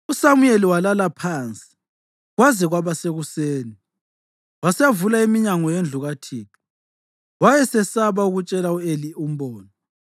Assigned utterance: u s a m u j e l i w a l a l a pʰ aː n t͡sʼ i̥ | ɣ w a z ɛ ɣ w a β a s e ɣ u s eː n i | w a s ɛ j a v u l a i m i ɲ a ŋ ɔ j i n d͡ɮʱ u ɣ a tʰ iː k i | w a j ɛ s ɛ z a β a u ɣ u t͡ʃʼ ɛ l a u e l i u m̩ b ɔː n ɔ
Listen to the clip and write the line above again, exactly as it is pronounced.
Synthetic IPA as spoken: u s a m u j e l i w a l a l a pʰ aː n t͡sʼ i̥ | ɣ w a z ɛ ɣ w a β a s e ɣ u s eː n i | w a s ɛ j a v u l a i m i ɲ a ŋ ɔ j e n d͡ɮʱ u ɣ a tʰ iː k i | w a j ɛ s ɛ s a β a u ɣ u t͡ʃʼ ɛ l a u e l i u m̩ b ɔː n ɔ